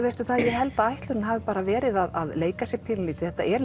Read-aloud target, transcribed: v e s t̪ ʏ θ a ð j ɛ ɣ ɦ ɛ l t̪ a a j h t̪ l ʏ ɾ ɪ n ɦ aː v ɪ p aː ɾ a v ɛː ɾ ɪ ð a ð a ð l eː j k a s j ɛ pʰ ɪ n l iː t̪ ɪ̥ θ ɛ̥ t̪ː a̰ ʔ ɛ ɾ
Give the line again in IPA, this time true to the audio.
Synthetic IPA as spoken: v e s t̪ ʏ θ a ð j ɛ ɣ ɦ ɛ l t̪ a a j h t̪ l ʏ ɾ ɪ n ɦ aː v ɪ p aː ɾ a v ɛː ɾ ɪ ð a ð a ð l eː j k a s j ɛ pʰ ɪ n l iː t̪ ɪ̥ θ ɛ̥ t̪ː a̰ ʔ ɛ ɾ